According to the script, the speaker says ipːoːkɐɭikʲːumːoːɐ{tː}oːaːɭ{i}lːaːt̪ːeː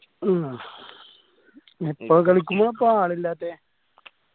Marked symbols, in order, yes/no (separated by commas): no, yes